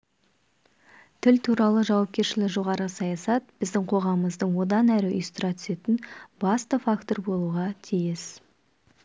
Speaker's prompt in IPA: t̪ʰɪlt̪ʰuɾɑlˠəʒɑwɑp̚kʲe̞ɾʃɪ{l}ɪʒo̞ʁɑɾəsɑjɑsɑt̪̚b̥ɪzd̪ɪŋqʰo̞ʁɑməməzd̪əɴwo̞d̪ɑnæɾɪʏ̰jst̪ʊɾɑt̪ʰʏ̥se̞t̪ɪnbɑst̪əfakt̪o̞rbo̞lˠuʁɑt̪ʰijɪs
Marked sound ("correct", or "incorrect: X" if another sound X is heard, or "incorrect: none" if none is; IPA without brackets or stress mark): correct